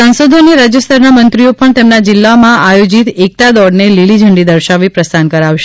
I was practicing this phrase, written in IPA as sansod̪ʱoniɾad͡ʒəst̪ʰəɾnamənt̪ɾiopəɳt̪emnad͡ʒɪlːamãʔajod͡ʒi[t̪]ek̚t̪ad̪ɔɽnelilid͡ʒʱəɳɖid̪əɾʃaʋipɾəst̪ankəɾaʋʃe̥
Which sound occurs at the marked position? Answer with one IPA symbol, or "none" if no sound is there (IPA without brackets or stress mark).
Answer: t̪